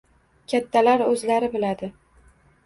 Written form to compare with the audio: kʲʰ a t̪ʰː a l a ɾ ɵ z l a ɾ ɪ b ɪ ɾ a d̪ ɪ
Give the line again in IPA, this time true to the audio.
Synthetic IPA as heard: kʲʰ a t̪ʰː a l a ɾ ɵ z l a ɾ ɪ b ɪ l a d̪ ɪ